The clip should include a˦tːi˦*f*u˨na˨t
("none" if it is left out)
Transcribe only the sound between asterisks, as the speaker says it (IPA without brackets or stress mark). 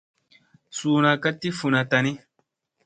f